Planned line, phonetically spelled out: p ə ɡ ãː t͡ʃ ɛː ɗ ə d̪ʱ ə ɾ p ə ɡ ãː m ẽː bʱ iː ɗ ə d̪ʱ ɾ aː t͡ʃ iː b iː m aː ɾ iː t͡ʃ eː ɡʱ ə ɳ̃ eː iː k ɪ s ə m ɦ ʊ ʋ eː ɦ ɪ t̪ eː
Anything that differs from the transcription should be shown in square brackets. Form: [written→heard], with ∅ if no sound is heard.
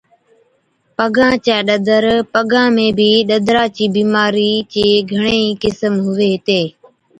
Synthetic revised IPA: p ə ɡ ãː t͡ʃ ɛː ɗ ə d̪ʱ ə ɾ p ə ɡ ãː m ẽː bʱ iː ɗ ə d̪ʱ ɾ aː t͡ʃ iː b iː m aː ɾ iː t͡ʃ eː ɡʱ ə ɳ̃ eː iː k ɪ s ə m ɦ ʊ ʋ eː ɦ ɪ t̪ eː